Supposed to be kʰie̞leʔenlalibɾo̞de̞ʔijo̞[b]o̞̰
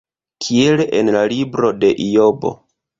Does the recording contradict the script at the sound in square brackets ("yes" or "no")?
no